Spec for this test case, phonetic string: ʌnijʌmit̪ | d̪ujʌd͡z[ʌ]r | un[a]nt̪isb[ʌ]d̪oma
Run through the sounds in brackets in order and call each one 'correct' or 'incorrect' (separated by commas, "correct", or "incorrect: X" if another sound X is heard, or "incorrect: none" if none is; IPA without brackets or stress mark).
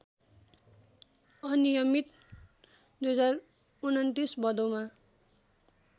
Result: incorrect: a, incorrect: ʌ, correct